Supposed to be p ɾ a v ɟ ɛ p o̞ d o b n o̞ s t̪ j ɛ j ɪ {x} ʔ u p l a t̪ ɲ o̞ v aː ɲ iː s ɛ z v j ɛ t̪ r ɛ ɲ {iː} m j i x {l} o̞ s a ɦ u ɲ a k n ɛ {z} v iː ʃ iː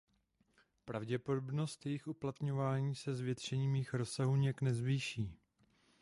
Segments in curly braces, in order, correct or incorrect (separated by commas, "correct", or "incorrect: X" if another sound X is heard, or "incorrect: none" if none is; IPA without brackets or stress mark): correct, correct, incorrect: ɾ, correct